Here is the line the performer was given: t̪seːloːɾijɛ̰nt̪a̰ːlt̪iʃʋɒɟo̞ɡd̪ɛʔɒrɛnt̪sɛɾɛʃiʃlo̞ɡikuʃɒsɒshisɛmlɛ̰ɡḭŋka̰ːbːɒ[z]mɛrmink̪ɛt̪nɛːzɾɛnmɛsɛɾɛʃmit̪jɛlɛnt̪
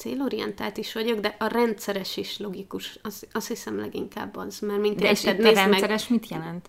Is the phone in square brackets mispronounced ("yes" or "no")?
no